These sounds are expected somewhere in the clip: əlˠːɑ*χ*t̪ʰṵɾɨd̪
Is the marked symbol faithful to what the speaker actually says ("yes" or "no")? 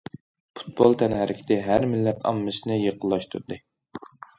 no